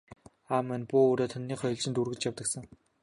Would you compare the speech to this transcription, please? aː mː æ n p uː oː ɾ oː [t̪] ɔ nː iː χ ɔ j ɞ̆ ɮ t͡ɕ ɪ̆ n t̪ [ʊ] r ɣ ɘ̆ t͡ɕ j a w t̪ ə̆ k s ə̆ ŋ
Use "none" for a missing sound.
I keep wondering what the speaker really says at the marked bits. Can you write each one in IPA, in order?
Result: t̪ʰ, u

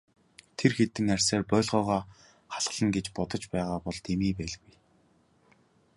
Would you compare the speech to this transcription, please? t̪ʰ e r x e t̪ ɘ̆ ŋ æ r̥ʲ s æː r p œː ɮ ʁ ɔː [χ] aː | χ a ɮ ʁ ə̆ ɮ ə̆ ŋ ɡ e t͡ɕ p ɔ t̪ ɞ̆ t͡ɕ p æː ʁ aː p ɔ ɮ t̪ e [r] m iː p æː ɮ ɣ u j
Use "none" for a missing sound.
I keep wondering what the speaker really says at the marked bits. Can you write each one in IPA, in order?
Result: ʁ, none

